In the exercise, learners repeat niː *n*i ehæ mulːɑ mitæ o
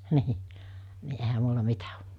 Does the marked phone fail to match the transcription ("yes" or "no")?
no